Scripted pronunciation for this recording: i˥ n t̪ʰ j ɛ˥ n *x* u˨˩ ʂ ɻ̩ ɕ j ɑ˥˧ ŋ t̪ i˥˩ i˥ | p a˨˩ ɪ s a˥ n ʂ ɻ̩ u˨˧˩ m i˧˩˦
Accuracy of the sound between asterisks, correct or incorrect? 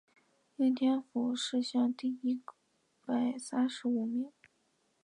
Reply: incorrect